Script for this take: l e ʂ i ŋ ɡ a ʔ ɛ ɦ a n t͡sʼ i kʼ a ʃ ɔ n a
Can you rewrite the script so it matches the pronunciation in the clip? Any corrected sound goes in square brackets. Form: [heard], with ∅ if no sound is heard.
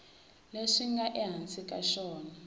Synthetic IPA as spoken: l e ʂ i ŋ ɡ a ʔ ɛ ɦ a n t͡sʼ i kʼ a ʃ [ɔː] n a